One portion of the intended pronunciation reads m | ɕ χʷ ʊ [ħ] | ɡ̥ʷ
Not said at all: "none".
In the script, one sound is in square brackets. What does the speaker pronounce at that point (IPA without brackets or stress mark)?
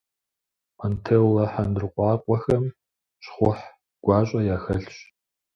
ħ